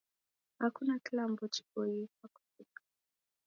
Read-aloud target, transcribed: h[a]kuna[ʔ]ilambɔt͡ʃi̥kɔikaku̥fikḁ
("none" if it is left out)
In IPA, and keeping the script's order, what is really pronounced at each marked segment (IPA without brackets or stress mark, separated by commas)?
a, k